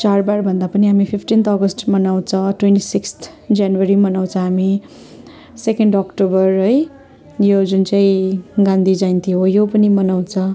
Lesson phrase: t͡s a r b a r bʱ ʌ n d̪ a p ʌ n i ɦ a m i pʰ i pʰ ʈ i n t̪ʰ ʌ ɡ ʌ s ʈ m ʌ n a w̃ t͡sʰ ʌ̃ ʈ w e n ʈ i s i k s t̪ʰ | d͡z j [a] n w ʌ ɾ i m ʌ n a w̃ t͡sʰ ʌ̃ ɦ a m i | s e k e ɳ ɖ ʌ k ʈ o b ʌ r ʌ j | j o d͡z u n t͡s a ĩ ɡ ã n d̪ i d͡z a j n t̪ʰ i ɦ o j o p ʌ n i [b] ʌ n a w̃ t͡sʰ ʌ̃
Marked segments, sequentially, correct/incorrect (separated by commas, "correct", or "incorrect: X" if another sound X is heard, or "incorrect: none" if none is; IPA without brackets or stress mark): correct, incorrect: m